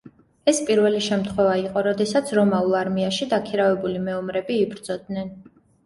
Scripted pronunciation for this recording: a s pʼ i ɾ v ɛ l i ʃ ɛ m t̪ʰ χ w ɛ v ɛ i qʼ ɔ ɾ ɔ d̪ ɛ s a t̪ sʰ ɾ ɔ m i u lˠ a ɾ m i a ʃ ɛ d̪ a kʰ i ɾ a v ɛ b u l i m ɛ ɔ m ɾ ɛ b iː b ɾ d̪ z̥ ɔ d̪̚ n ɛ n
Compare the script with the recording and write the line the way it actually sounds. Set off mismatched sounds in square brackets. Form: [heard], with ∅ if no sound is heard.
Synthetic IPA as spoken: [ɛ] s pʼ i ɾ v ɛ l i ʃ ɛ m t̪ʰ χ w ɛ v [a] i qʼ ɔ ɾ ɔ d̪ ɛ s a t̪ sʰ ɾ ɔ m [a] u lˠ a ɾ m i a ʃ [i] d̪ a kʰ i ɾ a v ɛ b u l i m ɛ ɔ m ɾ ɛ b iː b ɾ d̪ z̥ ɔ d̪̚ n ɛ n